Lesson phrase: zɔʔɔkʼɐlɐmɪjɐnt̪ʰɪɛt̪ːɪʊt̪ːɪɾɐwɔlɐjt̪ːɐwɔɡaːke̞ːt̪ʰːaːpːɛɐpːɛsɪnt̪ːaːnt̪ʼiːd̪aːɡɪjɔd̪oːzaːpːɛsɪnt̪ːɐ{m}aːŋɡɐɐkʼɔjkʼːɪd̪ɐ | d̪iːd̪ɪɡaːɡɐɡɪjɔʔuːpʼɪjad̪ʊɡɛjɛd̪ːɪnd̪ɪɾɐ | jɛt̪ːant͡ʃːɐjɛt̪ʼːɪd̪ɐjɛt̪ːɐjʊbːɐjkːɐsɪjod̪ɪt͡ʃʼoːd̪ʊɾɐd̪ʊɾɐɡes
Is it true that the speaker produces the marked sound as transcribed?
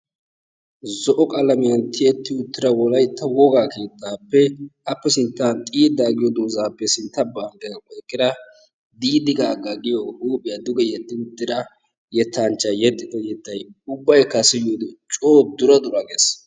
no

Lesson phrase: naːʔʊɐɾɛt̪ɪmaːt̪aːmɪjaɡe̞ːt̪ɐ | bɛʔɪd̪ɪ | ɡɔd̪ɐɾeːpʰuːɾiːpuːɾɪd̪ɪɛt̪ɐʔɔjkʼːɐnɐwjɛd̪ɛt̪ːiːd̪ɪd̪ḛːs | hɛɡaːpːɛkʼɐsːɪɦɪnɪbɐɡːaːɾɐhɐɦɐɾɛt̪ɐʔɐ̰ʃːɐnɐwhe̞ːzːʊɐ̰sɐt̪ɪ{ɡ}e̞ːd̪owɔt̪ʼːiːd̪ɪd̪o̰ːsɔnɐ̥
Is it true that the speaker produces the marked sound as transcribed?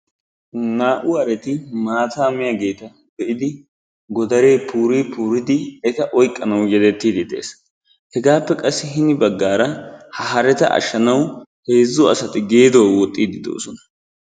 yes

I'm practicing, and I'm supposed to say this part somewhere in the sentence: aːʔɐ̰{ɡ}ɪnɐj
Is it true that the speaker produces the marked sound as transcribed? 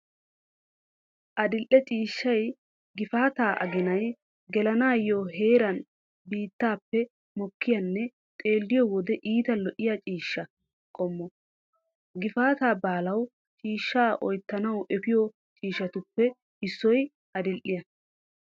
yes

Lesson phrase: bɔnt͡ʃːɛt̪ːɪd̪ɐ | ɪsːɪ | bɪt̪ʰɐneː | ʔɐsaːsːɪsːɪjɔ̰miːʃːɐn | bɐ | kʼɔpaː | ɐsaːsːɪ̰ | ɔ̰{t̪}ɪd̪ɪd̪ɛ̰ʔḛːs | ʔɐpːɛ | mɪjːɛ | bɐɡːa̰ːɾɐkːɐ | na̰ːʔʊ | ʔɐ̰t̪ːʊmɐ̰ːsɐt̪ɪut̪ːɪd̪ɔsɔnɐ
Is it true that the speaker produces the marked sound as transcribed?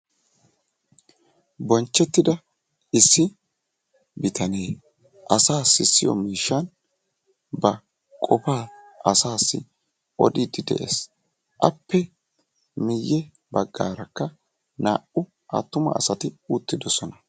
no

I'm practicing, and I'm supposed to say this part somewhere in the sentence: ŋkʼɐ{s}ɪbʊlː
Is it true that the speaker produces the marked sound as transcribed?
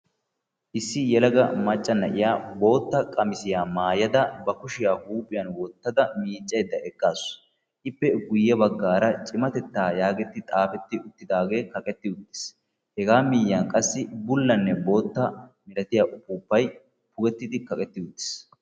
no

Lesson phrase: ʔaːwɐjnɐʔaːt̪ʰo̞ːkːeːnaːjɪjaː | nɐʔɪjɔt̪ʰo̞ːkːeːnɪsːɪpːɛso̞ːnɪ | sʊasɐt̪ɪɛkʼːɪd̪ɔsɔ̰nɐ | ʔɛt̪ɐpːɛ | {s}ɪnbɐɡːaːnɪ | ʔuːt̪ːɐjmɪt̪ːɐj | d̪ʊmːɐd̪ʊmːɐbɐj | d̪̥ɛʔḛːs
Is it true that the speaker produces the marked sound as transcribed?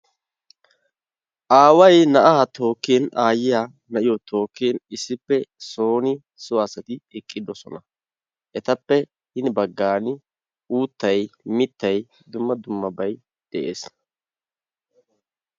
no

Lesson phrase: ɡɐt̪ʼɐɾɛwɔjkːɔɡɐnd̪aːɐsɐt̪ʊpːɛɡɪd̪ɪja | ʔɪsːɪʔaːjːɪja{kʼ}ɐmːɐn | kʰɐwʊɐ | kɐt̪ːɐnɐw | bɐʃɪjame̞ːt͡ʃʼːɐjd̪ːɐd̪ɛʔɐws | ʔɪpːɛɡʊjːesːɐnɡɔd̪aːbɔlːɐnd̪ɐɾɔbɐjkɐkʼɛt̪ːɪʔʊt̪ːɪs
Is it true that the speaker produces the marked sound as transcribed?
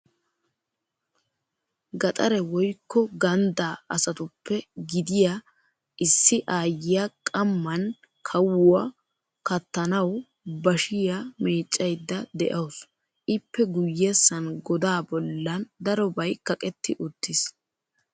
yes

